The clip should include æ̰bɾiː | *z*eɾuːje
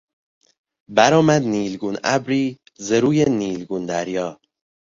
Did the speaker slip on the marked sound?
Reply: no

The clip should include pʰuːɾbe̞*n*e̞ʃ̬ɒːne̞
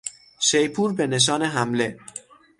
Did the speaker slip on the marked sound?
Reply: no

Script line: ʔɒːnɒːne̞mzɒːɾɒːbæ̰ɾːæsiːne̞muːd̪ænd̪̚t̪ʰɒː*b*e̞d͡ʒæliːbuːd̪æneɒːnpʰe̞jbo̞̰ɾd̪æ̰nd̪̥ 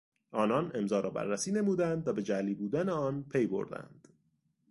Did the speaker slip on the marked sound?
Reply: no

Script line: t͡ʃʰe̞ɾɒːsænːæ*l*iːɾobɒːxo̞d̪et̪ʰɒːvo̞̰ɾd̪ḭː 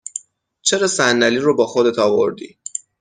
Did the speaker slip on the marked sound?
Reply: no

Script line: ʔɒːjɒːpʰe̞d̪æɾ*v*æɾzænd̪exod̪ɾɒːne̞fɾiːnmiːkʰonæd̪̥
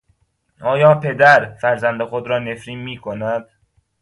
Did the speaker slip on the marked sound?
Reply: yes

